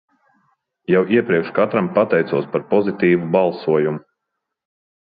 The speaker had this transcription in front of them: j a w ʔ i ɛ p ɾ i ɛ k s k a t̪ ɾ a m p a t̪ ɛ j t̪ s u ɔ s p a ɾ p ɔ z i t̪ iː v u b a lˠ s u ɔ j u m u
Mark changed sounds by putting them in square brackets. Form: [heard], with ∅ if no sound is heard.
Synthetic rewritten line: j a w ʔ i ɛ p ɾ i ɛ k [ʃ] k a t̪ ɾ a m p a t̪ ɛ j t̪ s u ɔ s p a ɾ p ɔ z i t̪ iː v u b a lˠ s u ɔ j u m u